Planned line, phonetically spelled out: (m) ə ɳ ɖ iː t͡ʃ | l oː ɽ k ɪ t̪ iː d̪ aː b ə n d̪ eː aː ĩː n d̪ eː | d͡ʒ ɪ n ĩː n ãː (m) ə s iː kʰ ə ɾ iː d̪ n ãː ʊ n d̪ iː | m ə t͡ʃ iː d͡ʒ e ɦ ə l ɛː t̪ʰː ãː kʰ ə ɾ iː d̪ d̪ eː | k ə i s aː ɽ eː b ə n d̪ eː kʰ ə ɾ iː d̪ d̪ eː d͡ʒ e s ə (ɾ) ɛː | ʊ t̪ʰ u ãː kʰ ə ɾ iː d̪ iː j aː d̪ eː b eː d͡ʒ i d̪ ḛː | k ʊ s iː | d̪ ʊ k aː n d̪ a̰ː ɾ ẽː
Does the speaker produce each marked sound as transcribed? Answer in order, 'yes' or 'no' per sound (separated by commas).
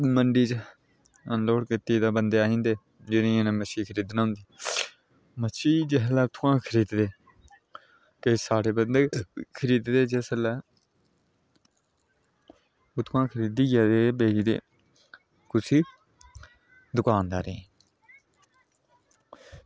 yes, yes, no